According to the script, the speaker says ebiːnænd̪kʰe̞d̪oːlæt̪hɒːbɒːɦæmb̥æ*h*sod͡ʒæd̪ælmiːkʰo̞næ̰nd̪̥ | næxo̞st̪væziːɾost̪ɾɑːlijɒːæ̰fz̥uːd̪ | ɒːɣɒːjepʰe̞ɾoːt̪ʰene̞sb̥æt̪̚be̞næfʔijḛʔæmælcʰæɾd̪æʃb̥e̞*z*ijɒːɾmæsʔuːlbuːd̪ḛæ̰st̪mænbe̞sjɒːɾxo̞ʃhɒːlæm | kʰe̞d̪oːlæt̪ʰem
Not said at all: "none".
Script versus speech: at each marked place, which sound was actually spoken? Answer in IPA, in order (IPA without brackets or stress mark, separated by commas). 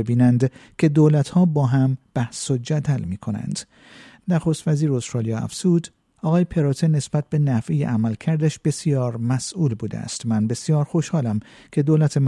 h, s